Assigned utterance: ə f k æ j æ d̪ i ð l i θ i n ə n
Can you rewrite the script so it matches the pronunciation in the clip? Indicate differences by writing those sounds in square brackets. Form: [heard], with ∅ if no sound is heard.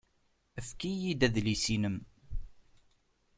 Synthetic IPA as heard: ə f k [i] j [i] d̪ [æ] ð l i [s] i n ə [m]